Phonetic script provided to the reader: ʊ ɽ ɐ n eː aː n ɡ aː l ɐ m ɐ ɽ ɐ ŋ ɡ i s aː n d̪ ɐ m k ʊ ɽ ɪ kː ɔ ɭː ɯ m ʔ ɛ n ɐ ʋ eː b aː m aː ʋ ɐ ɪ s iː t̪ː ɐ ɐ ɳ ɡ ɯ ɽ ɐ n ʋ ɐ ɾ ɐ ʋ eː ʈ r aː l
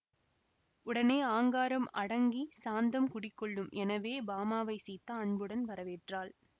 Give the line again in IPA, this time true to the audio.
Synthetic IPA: ʊ ɽ ɐ n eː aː ŋ ɡ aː ɾ ɐ m ɐ ɽ ɐ ŋ ɡ i s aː n d̪ ɐ m k ʊ ɽ ɪ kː ɔ ɭː ɯ m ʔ ɛ n ɐ ʋ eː b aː m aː ʋ ɐ ɪ s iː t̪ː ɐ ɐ ɳ b ɯ ɽ ɐ n ʋ ɐ ɾ ɐ ʋ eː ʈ r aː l